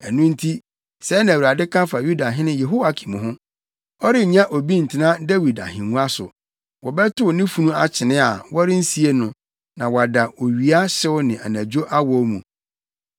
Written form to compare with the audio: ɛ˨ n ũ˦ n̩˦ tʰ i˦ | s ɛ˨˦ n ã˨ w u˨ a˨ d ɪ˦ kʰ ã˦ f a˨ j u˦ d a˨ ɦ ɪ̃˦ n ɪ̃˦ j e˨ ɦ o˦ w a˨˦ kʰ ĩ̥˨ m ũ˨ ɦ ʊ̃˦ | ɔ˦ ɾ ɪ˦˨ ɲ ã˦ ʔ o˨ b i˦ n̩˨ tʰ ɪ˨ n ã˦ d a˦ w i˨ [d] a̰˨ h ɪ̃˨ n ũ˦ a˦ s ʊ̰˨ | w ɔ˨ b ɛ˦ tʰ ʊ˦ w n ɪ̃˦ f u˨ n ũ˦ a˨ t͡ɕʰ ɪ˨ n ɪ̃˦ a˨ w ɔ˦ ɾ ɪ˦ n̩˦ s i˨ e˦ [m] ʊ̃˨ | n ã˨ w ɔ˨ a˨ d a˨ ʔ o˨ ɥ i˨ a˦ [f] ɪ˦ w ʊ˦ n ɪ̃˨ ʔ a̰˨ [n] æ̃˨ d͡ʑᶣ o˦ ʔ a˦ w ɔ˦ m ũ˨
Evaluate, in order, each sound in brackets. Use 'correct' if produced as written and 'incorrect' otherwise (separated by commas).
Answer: correct, incorrect, incorrect, correct